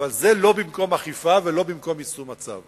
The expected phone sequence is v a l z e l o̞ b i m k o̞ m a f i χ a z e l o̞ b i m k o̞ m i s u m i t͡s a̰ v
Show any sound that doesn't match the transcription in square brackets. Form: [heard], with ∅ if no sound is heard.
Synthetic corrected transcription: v a l z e l o̞ b i m k o̞ m a [χ] i [f] a [v] e l o̞ b i m k o̞ m i s u m [a] t͡s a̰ v